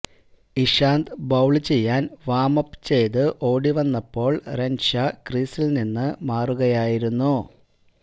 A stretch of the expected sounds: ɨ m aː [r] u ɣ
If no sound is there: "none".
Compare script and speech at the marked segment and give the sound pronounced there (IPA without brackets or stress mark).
r